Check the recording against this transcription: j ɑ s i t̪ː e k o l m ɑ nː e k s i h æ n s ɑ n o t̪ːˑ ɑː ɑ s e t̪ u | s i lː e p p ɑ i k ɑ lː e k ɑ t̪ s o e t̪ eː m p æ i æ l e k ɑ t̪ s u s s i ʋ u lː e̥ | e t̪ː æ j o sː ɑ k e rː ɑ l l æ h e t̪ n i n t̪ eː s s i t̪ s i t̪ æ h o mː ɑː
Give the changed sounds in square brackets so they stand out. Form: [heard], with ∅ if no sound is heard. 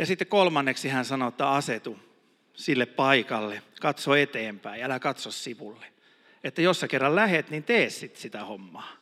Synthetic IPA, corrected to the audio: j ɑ s i t̪ː e k o l m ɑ nː e k s i h æ n s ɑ n o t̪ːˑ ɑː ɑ s e t̪ u | s i lː e p p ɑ i k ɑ lː e k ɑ t̪ s o e t̪ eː m p æ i æ l [æ] k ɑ t̪ s [o] s s i ʋ u lː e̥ | e t̪ː æ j o sː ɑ k e rː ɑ l l æ h e t̪ n i n t̪ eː s s i t̪ s i t̪ æ h o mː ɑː